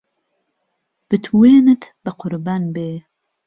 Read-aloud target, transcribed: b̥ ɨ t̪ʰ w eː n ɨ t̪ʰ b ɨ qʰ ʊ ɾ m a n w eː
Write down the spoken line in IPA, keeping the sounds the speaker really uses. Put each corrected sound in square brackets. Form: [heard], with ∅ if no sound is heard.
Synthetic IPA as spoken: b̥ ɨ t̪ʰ w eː n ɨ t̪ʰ b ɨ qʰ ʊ ɾ [b] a n [b] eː